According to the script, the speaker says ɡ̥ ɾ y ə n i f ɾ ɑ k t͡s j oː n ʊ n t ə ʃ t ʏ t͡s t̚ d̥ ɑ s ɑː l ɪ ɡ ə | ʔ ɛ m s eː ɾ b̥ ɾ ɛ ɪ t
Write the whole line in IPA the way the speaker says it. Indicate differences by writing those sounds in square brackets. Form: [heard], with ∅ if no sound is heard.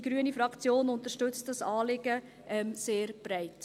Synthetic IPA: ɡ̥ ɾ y ə n i f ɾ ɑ k t͡s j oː n ʊ n t ə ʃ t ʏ t͡s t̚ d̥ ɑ s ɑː l ɪ ɡ ə | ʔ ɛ m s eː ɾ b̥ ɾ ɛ ɪ t